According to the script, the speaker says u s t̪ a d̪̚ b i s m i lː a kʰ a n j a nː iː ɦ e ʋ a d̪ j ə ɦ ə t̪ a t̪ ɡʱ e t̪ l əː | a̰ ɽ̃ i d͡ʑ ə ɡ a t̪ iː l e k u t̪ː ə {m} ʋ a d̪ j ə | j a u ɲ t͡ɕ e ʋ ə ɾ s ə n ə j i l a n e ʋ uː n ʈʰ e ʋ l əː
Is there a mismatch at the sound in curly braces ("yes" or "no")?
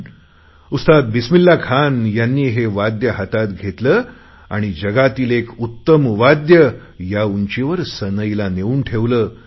no